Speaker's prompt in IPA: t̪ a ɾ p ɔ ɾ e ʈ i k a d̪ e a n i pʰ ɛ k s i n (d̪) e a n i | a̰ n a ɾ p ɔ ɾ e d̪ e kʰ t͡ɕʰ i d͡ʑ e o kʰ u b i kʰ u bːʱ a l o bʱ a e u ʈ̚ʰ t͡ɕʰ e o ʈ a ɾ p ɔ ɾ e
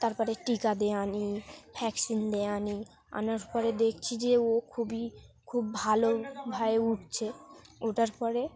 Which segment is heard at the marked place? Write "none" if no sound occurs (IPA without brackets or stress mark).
d̪